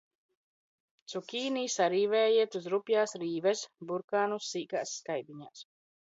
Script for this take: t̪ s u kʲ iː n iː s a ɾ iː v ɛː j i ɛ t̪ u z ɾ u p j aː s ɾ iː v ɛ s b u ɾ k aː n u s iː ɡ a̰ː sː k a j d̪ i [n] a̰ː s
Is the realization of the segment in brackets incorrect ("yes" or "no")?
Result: yes